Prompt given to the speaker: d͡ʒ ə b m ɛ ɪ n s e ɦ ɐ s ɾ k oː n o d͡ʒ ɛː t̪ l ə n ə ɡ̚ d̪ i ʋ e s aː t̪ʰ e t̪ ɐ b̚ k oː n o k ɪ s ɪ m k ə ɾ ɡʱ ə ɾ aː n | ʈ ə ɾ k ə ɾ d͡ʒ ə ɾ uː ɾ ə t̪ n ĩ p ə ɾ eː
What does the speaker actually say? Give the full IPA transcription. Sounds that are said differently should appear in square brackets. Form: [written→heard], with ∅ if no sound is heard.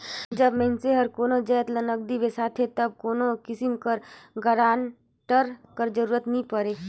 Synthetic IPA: d͡ʒ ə b m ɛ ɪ n s e ɦ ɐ [s→∅] ɾ k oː n o d͡ʒ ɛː t̪ l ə n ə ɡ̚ d̪ i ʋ e s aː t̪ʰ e t̪ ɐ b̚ k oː n o k ɪ s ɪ m k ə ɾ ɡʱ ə ɾ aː n | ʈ ə ɾ k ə ɾ d͡ʒ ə ɾ uː ɾ ə t̪ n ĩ p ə ɾ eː